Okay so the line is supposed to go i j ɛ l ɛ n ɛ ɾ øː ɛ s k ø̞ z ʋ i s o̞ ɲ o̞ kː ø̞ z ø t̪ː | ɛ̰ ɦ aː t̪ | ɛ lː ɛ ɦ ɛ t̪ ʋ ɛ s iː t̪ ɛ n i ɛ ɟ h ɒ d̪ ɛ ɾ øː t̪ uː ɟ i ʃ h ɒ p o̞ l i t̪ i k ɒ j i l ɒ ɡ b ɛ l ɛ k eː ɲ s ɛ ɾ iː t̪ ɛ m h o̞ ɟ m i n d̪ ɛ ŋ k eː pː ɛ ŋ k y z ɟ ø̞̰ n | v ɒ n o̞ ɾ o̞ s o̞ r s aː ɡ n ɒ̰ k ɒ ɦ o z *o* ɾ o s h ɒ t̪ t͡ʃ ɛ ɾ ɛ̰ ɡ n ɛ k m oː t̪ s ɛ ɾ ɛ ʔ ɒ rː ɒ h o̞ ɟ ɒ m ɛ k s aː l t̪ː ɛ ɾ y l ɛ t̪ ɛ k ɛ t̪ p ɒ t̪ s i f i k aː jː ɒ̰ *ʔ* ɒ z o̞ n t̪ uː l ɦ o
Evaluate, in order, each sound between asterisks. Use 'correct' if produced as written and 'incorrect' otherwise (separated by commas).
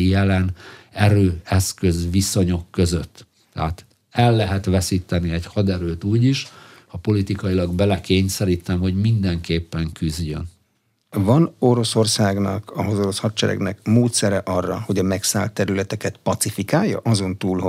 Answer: correct, correct